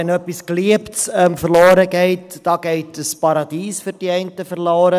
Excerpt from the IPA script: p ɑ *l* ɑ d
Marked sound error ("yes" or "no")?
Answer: yes